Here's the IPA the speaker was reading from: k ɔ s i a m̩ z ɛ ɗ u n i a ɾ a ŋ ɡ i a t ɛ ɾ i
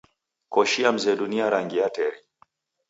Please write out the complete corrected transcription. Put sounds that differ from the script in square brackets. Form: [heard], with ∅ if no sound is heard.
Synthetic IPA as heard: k ɔ [ʃ] i a m̩ z ɛ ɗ u n i a ɾ a ŋ ɡ i a t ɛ ɾ i